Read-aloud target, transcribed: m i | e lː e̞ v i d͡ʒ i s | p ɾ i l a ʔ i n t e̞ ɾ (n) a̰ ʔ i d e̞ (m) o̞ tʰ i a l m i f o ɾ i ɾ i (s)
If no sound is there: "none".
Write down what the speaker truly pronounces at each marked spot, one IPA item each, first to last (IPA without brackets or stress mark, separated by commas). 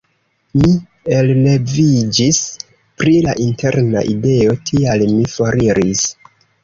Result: n, none, s